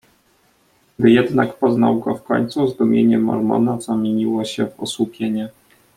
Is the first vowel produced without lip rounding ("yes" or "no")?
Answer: yes